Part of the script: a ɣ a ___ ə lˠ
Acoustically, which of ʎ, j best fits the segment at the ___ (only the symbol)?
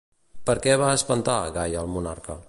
j